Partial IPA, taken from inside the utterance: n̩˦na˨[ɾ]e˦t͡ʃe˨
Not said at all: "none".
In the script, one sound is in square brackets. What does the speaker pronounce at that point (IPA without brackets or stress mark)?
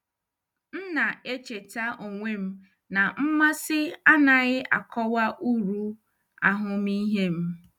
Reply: none